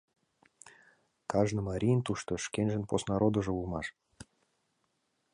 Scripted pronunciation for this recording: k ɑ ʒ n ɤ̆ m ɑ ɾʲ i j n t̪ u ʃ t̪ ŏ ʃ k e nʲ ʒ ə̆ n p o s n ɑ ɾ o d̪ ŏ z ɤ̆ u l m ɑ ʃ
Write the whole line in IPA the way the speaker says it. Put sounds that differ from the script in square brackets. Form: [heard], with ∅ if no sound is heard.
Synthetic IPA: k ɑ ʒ n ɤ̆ m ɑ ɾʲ i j n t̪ u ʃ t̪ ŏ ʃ k e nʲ ʒ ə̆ n p o s n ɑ ɾ o d̪ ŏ [ʒ] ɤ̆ u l m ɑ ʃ

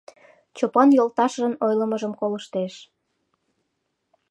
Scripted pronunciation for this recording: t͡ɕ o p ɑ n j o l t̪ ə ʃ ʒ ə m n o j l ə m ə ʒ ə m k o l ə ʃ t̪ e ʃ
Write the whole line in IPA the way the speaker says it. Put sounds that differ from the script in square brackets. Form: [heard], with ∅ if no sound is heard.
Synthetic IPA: t͡ɕ o p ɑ n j o l t̪ [ɑ] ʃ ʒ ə [∅] n o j l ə m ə ʒ ə m k o l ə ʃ t̪ e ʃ

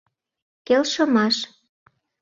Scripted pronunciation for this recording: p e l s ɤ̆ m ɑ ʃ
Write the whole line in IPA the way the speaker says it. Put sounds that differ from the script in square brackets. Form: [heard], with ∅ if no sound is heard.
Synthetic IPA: [k] e l [ʃ] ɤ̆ m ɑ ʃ

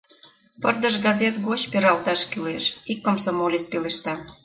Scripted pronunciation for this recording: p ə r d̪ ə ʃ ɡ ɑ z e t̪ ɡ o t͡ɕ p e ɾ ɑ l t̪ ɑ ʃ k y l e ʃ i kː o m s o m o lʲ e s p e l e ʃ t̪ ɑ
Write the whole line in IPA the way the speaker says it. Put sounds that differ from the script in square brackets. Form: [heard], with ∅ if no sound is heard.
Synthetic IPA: p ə r d̪ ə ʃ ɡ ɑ z e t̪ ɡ o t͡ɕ p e ɾ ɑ l t̪ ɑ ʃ k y l e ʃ i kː o m s o m o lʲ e s p e l e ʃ t̪ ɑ

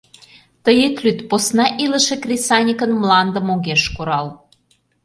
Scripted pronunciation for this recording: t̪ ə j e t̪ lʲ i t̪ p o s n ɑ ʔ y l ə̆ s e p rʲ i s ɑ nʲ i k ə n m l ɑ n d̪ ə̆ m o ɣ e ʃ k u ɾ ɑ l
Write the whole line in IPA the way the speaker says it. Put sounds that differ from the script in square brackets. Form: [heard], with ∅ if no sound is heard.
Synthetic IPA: t̪ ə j e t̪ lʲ [y] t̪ p o s n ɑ ʔ [i] l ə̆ [ʃ] e [k] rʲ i s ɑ nʲ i k ə n m l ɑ n d̪ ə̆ m o ɣ e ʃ k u ɾ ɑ l

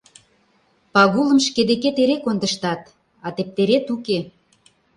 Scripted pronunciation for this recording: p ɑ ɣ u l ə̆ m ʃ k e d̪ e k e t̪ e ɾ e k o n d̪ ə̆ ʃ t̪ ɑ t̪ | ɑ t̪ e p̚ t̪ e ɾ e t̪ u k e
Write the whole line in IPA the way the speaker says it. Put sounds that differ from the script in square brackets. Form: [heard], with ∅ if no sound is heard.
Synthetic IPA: p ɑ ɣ u l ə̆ m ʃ k e d̪ e k e t̪ e ɾ e k o n d̪ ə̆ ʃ t̪ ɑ t̪ | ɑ t̪ e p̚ t̪ e ɾ e t̪ u k e

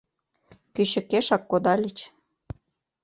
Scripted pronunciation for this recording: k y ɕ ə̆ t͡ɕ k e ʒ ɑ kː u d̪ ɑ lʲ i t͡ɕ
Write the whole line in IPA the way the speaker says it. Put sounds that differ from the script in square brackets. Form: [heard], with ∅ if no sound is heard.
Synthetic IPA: k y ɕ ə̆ [∅] k e [ʃ] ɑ kː [o] d̪ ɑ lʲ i t͡ɕ

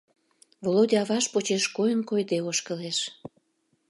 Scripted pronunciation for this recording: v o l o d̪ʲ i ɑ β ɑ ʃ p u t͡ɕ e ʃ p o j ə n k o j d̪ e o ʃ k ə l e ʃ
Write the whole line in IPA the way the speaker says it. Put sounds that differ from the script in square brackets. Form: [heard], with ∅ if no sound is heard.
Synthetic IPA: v o l o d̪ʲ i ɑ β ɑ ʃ p [o] t͡ɕ e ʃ [k] o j ə n k o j d̪ e o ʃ k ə l e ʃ

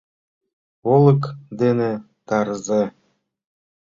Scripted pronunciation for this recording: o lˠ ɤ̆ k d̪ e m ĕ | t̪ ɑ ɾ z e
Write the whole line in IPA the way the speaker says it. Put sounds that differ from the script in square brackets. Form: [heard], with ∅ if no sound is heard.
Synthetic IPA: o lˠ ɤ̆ k d̪ e [n] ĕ | t̪ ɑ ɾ z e

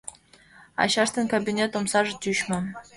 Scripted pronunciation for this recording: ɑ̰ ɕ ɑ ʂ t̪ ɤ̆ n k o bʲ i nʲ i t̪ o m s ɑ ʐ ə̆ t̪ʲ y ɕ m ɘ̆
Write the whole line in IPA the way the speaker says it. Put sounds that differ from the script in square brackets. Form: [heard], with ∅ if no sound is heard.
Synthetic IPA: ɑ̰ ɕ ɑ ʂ t̪ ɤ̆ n k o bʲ i nʲ [e] t̪ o m s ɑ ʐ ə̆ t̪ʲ y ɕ m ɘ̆

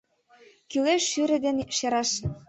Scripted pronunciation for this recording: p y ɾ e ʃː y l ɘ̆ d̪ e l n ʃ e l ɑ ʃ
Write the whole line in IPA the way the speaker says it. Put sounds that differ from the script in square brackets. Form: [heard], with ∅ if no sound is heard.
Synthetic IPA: [k] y [l] e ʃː y [ɾ] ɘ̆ d̪ e [∅] n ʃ e [ɾ] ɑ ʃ

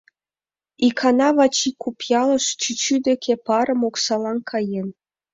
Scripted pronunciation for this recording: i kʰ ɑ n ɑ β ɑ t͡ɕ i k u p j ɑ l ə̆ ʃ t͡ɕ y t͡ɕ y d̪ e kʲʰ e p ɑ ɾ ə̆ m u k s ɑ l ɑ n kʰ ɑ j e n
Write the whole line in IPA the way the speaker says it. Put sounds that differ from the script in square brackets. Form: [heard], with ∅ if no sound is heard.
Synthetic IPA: i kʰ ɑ n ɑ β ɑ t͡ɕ i k u p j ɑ l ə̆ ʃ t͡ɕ y t͡ɕ y d̪ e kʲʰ e p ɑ ɾ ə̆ m [o] k s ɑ l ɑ n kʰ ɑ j e n

